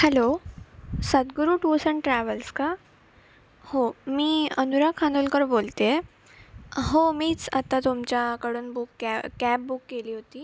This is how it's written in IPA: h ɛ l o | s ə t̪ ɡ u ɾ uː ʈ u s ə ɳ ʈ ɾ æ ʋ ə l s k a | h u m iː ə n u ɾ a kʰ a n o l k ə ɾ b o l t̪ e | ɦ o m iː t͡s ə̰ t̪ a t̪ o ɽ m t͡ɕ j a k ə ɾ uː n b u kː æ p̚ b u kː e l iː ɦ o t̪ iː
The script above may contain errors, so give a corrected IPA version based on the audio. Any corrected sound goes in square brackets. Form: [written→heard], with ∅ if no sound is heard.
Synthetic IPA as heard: h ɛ l o | s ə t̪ ɡ u ɾ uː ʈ u s ə ɳ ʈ ɾ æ ʋ ə l s k a | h [u→o] m iː ə n u ɾ a kʰ a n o l k ə ɾ b o l t̪ e | ɦ o m iː t͡s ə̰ t̪ a t̪ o [ɽ→∅] m t͡ɕ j a k ə [ɾ→ɽ] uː n b u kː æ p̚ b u kː e l iː ɦ o t̪ iː